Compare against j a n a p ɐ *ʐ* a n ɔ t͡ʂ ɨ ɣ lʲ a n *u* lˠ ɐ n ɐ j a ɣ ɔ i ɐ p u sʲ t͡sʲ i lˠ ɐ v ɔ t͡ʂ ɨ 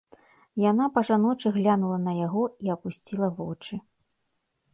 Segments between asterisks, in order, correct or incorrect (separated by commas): correct, correct